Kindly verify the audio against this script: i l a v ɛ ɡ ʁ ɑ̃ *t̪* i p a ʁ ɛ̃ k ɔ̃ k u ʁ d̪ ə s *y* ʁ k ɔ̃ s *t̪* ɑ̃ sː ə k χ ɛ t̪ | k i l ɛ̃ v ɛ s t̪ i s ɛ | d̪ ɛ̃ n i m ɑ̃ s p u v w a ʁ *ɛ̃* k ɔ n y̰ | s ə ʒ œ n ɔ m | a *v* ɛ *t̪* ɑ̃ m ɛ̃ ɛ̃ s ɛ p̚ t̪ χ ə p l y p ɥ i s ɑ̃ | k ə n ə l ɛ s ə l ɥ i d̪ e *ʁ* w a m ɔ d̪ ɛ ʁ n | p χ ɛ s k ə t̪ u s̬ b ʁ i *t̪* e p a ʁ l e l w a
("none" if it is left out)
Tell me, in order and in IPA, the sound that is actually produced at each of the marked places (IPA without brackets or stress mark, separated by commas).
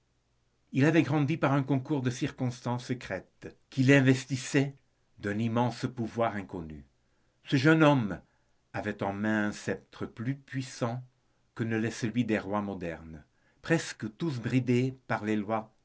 d̪, i, t̪, ɛ̃, v, t̪, ʁ, d̪